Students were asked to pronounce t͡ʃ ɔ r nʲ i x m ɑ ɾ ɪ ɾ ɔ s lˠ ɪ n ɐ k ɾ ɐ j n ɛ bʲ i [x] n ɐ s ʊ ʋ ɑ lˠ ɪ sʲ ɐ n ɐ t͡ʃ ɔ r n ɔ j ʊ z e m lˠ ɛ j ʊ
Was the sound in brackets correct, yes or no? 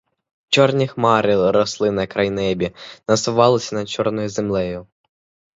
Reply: no